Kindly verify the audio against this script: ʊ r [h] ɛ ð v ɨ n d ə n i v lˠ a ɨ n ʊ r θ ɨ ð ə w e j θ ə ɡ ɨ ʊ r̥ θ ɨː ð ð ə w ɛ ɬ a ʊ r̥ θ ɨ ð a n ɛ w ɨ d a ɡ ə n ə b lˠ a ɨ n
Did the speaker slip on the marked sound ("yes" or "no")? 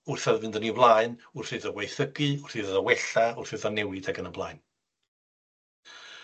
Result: yes